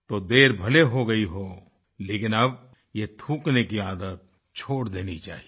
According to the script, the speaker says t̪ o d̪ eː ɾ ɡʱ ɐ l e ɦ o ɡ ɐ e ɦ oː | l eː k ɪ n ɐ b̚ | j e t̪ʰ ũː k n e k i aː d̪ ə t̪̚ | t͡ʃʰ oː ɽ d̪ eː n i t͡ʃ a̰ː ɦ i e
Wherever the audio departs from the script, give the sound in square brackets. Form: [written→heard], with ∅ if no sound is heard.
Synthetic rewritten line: t̪ o d̪ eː ɾ [ɡʱ→bʱ] ɐ l e ɦ o ɡ ɐ [e→i] ɦ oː | l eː k ɪ n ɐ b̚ | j e t̪ʰ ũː k n e k i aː d̪ ə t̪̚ | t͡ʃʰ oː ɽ d̪ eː n i t͡ʃ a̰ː ɦ i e

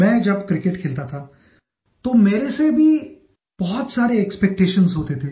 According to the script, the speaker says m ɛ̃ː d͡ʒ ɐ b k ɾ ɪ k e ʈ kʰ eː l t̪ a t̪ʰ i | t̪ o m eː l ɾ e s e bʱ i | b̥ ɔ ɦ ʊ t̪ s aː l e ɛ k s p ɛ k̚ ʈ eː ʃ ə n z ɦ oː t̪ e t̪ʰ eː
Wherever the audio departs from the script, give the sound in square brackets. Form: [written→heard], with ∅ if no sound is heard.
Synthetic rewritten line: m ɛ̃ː d͡ʒ ɐ b k ɾ ɪ k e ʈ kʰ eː l t̪ a t̪ʰ [i→a] | t̪ o m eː [l→∅] ɾ e s e bʱ i | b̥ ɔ ɦ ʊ t̪ s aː [l→ɾ] e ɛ k s p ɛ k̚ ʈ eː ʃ ə n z ɦ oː t̪ e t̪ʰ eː

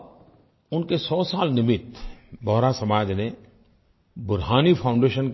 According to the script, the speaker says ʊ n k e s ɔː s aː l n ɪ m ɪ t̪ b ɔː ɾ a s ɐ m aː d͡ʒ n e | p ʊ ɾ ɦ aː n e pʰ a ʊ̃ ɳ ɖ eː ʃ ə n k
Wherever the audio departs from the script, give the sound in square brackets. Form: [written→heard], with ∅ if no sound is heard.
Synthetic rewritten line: ʊ n k e s ɔː s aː l n ɪ m ɪ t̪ b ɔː ɾ a s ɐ m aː d͡ʒ n e | [p→b] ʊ ɾ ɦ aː n [e→i] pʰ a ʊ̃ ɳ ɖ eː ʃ ə n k

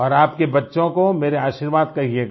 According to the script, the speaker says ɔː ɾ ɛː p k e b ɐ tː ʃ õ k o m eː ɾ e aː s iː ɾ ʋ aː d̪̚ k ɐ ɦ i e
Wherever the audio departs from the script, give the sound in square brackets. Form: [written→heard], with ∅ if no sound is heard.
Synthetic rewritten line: ɔː ɾ [ɛː→aː] p k e b ɐ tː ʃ õ k o m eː ɾ e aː [s→ʃ] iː ɾ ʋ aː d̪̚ k ɐ ɦ i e

